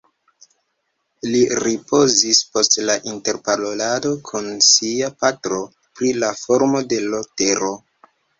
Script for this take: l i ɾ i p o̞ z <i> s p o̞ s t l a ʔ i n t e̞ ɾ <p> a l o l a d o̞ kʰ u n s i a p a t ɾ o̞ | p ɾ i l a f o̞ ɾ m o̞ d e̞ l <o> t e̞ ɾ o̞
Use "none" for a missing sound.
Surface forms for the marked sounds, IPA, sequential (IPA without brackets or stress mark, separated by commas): i, p, o